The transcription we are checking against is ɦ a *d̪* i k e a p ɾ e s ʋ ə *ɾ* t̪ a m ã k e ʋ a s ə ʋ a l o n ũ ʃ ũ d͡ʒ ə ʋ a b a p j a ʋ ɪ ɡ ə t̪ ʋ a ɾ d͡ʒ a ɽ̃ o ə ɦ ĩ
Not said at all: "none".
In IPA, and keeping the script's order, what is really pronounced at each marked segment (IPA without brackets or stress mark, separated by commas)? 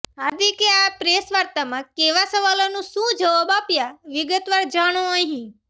d̪, ɾ